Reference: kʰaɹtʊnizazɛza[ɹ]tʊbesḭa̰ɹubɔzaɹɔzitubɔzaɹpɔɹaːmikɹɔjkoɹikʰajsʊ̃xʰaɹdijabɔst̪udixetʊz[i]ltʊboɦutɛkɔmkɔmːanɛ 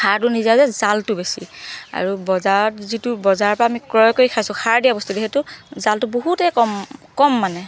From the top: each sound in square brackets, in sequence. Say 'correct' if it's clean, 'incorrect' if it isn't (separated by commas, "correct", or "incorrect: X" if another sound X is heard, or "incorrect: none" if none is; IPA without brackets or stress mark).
incorrect: l, incorrect: a